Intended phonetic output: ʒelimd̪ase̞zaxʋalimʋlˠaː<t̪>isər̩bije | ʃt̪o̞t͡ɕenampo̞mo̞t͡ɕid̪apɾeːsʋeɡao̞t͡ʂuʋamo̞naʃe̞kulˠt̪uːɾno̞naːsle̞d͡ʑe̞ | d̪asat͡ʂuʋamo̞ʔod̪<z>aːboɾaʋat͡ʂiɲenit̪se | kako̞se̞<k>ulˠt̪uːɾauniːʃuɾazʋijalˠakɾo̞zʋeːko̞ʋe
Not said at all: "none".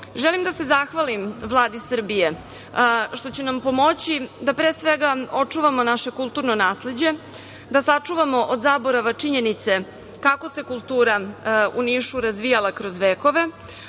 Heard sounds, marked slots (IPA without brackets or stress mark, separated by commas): d̪, z, k